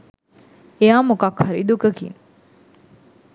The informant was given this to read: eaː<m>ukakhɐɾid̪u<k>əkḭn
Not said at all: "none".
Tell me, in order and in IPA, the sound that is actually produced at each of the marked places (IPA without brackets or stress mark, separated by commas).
m, k